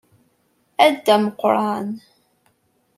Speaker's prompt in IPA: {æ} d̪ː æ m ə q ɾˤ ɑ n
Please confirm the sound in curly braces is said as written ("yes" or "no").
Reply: yes